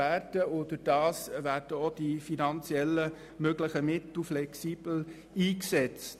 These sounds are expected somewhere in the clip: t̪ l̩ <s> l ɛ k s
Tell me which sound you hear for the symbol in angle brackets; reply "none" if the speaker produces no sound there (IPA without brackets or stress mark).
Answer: f